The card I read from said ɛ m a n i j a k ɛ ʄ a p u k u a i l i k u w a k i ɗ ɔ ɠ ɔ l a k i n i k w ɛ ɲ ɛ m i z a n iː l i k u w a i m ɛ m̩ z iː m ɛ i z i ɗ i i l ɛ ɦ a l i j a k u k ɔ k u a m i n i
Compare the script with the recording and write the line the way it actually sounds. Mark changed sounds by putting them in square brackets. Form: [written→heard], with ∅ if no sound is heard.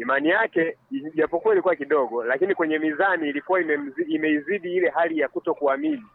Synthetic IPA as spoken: [ɛ→i] m a n i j a k ɛ ʄ a p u k u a i l i k u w a k i ɗ ɔ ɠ ɔ l a k i n i k w ɛ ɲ ɛ m i z a n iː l i k u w a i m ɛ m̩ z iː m ɛ i z i ɗ i i l ɛ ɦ a l i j a k u [k→t] ɔ k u a m i n i